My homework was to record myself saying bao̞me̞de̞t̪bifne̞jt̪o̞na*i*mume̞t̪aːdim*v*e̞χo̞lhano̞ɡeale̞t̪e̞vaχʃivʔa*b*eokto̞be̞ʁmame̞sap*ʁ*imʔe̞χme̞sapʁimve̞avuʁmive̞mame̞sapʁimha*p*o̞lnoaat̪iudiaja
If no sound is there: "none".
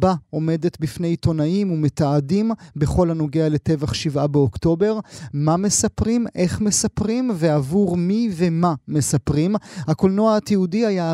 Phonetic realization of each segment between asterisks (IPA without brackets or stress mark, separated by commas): i, b, b, ʁ, k